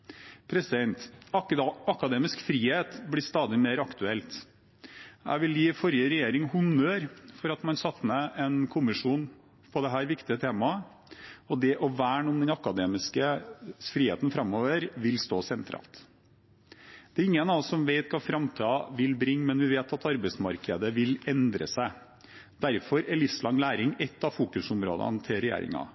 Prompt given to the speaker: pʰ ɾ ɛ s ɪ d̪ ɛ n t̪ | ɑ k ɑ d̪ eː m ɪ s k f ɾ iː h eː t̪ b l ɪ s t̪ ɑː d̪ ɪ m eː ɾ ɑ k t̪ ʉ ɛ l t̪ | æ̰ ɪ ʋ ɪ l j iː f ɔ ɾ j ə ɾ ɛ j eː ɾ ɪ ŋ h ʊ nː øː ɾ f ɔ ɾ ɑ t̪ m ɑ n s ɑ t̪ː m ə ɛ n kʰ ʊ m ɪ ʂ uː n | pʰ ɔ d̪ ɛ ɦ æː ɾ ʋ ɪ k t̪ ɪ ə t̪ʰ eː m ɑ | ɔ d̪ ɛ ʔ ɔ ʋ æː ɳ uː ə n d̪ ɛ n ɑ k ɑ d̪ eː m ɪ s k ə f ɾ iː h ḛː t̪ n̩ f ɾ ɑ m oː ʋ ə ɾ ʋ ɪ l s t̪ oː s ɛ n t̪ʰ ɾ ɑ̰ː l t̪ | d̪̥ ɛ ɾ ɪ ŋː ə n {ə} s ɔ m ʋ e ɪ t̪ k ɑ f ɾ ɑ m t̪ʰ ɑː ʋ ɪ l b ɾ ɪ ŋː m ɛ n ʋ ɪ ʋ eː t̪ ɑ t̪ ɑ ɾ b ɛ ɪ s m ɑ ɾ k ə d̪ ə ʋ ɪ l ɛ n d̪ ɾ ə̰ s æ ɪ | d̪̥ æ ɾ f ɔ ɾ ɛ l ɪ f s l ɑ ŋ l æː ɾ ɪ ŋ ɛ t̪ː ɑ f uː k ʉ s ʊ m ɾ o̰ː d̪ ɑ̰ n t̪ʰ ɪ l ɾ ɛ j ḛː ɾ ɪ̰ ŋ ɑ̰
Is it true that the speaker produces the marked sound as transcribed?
no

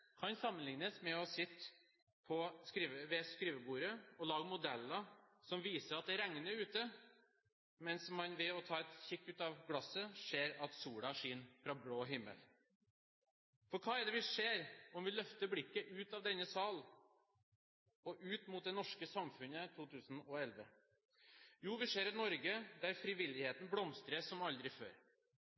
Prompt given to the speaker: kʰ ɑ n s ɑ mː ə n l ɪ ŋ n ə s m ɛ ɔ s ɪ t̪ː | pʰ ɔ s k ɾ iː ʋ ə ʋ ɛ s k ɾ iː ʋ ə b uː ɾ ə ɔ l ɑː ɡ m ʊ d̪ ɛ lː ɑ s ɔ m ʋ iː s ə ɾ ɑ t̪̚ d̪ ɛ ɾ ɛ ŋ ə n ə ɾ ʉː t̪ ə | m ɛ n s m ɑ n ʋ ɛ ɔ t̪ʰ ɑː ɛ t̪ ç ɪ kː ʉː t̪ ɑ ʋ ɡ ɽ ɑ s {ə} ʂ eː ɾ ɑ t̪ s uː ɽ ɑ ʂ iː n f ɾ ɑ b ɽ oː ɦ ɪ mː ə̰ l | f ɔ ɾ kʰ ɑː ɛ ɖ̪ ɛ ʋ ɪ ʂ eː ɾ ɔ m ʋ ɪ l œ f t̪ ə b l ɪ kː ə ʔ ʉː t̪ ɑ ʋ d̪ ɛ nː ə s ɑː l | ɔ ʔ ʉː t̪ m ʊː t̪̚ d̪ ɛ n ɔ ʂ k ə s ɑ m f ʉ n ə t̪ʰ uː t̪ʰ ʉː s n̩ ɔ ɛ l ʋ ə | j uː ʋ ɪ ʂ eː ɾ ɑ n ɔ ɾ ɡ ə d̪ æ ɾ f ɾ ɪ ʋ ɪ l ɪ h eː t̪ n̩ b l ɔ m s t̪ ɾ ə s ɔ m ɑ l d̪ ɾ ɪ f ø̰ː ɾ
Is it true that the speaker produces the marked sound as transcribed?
yes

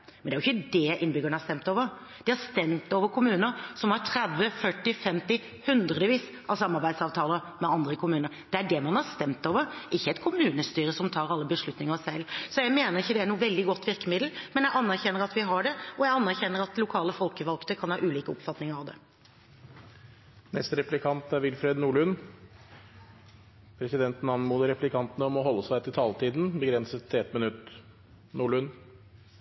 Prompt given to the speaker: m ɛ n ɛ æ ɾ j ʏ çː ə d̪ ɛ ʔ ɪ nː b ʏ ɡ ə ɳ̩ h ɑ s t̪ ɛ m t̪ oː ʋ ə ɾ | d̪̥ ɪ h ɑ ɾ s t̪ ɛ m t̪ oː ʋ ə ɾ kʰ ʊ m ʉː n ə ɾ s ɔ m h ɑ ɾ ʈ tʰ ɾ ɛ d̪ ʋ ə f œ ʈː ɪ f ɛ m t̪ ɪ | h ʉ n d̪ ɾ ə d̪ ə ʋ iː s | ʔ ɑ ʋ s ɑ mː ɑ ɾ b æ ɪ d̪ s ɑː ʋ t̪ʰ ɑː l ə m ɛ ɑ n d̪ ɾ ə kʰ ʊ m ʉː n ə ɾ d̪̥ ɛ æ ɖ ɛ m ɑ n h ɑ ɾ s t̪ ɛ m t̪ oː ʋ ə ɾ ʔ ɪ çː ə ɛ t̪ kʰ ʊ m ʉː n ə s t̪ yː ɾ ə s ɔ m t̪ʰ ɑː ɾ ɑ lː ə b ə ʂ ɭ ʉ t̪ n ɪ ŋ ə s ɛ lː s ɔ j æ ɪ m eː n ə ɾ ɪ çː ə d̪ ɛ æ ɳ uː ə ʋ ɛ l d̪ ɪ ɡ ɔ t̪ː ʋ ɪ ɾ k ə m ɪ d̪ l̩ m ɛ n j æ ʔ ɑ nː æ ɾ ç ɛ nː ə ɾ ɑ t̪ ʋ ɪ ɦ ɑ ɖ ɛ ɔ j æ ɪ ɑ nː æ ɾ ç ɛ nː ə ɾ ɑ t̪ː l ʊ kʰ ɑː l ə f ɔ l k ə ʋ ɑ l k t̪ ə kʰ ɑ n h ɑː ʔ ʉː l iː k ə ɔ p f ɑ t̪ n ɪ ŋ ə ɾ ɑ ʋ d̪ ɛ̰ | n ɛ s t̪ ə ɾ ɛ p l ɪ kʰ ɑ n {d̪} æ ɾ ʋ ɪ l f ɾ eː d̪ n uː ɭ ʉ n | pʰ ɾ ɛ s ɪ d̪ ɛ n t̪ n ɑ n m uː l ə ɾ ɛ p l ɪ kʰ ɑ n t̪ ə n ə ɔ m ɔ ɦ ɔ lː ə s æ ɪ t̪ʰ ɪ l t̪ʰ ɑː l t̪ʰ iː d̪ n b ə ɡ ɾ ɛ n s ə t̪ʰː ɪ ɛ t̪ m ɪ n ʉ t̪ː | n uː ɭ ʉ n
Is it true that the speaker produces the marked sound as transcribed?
no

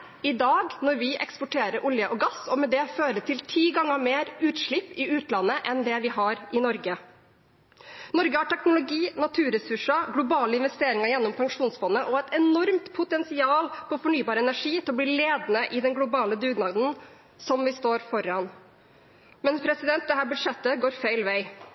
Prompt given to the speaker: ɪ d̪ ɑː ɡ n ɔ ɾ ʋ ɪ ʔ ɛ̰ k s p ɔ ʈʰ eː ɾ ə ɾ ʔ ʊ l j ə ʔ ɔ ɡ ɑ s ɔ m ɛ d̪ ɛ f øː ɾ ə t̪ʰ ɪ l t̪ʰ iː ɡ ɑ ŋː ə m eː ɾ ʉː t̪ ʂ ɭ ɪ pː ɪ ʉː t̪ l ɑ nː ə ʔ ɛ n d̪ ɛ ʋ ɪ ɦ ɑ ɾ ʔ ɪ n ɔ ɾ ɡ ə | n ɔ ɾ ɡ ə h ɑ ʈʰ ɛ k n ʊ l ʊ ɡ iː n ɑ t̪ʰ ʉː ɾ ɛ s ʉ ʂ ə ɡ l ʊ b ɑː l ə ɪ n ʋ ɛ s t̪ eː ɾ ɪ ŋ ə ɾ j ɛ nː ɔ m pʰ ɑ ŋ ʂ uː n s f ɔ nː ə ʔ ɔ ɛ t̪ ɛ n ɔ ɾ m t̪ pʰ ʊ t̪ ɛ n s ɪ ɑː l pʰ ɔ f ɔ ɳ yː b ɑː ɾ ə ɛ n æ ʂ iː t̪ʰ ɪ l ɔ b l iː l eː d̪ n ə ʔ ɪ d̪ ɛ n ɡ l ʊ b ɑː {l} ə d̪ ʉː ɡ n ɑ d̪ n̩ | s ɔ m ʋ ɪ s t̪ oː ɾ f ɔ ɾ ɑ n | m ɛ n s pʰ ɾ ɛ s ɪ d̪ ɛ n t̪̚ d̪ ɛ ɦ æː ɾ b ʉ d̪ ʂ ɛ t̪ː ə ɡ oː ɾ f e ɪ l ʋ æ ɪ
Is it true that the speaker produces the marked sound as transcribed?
yes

